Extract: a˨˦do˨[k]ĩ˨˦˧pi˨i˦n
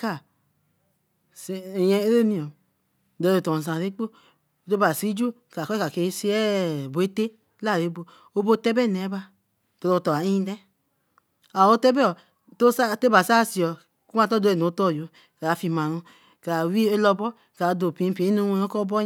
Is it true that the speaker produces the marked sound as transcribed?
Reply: no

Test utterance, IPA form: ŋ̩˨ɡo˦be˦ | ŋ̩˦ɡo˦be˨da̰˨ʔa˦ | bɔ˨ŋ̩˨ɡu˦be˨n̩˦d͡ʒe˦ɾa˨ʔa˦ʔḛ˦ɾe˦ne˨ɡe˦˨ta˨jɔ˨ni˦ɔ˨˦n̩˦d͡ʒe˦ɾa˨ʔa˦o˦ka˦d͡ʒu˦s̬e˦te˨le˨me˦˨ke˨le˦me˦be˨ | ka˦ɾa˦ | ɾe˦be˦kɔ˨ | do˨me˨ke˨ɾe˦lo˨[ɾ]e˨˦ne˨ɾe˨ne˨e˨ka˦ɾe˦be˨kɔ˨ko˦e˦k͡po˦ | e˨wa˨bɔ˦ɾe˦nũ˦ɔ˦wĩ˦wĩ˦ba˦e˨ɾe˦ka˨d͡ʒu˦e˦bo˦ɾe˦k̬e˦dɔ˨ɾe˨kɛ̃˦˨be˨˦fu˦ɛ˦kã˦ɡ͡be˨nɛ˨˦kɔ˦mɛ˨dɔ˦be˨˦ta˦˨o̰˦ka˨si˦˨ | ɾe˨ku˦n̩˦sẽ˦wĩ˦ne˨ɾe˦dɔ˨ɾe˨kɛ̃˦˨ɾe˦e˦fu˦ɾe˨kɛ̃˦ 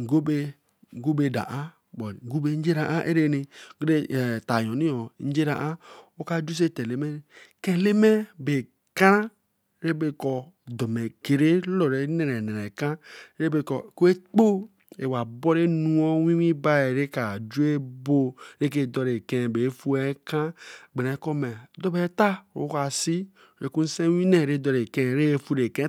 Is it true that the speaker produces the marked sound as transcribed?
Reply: yes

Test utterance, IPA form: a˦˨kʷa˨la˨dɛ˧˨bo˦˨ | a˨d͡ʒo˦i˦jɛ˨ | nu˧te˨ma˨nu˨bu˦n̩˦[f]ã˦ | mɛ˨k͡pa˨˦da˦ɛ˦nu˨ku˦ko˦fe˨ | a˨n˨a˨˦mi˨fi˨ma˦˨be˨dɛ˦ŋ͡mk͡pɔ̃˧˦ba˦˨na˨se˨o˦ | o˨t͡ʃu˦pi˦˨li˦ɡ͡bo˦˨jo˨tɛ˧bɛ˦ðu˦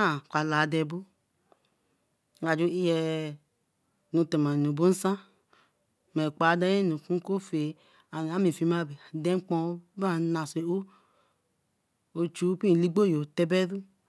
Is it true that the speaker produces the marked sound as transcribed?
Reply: no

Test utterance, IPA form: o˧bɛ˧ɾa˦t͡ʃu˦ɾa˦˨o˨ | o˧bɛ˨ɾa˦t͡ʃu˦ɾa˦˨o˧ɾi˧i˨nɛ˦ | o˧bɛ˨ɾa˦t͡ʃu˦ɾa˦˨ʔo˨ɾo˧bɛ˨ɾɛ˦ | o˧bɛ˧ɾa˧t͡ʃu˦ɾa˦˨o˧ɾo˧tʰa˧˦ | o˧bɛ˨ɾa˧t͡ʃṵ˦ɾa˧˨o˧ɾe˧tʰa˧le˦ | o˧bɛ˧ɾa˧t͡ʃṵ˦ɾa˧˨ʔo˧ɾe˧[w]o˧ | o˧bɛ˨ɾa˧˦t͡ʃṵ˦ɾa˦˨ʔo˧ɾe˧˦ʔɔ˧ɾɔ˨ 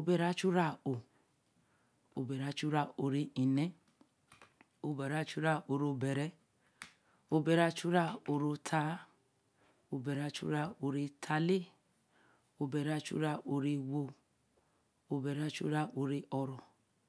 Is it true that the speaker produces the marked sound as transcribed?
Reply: yes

